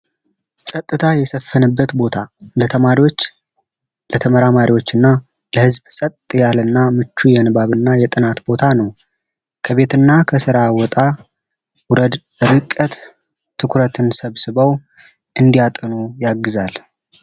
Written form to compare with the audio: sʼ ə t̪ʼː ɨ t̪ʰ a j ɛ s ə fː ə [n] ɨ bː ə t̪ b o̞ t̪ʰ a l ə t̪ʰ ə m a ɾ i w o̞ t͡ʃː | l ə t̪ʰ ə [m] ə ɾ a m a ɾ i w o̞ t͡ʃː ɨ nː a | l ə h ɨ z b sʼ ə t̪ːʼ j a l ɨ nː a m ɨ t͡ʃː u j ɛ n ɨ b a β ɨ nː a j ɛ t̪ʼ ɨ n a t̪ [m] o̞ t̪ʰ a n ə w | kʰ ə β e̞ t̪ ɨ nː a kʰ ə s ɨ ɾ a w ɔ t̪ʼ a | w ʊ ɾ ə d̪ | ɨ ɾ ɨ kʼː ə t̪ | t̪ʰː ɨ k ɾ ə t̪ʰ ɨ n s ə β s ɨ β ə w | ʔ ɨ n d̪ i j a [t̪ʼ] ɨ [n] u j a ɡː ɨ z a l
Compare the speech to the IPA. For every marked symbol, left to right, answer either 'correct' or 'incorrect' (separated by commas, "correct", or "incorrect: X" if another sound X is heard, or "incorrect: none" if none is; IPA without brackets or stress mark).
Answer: correct, correct, incorrect: b, correct, correct